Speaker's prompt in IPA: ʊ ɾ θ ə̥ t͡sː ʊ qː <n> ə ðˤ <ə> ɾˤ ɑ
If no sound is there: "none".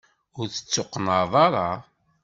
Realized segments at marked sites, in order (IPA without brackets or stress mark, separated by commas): n, ɑ